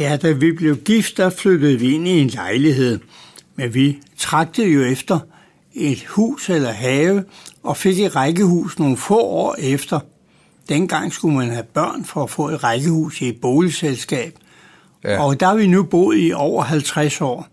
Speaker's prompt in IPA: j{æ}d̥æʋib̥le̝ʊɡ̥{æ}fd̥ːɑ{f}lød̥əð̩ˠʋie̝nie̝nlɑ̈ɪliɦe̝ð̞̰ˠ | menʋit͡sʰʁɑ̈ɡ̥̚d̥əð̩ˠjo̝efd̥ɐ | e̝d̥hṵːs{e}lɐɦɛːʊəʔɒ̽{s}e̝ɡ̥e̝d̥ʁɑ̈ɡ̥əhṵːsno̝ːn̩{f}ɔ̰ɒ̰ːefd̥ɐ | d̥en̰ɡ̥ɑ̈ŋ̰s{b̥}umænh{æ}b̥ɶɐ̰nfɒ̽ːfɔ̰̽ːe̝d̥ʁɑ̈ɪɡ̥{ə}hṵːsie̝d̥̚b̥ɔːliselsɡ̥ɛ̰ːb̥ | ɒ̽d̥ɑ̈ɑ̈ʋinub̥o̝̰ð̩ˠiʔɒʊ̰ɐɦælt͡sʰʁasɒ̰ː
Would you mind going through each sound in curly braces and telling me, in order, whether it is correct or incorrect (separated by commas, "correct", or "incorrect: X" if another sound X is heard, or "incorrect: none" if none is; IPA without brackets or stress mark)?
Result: correct, incorrect: i, correct, correct, incorrect: f, correct, incorrect: ɡ̥, correct, correct